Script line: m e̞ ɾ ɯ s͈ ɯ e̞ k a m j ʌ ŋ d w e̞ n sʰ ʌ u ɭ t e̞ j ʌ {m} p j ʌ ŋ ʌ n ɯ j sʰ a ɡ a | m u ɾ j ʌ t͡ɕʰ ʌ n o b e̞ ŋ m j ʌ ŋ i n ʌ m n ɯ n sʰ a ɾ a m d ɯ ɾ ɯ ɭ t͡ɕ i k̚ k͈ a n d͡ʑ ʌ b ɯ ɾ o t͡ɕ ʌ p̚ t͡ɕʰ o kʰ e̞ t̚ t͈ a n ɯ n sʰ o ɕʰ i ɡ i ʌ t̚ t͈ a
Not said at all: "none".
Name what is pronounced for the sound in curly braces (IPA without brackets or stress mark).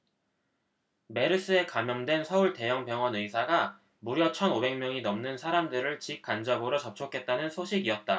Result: ŋ